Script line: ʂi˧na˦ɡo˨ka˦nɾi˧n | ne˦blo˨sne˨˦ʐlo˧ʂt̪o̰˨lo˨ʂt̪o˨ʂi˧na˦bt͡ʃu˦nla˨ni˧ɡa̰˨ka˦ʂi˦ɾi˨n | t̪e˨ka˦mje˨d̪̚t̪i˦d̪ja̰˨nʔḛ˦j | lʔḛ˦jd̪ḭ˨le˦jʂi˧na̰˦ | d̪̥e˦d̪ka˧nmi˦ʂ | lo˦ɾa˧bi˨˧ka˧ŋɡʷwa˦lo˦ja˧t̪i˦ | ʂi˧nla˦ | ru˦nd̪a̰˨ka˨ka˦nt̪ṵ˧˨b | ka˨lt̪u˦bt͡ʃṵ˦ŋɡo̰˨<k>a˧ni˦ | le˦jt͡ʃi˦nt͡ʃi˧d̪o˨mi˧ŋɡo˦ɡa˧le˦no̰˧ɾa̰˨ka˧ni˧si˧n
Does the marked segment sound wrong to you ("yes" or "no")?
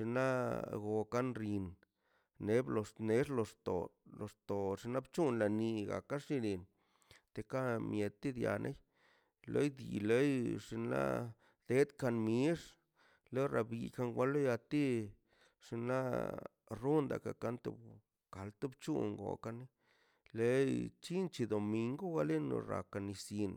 no